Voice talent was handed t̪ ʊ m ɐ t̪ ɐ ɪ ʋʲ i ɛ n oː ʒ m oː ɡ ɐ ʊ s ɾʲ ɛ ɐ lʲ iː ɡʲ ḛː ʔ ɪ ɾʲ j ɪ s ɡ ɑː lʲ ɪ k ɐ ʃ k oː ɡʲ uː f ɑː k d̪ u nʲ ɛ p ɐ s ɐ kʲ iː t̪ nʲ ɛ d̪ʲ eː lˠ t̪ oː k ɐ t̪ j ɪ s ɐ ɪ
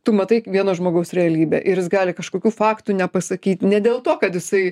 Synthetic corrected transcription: t̪ ʊ m ɐ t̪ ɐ ɪ ʋʲ i ɛ n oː ʒ m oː ɡ ɐ ʊ s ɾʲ ɛ ɐ lʲ iː bʲ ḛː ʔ ɪ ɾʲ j ɪ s ɡ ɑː lʲ ɪ k ɐ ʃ k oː kʲ uː f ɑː k t̪ u nʲ ɛ p ɐ s ɐ kʲ iː t̪ nʲ ɛ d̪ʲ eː lˠ t̪ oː k ɐ t̪ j ɪ s ɐ ɪ